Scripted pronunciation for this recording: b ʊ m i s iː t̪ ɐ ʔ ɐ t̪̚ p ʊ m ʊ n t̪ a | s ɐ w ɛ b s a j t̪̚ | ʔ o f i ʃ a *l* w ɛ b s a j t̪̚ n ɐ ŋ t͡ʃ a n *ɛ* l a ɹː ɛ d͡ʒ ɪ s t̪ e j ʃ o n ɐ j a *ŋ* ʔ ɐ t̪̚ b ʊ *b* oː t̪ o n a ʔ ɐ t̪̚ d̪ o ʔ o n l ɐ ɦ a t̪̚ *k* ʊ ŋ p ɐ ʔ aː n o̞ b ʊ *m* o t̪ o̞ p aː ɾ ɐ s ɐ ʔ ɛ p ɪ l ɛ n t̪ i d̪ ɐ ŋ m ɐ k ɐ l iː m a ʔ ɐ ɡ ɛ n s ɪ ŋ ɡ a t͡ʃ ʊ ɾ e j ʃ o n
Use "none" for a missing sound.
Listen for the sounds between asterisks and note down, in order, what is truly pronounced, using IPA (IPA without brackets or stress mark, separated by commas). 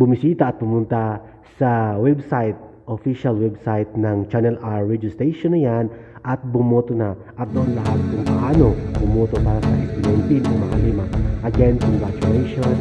l, ɛ, n, m, k, m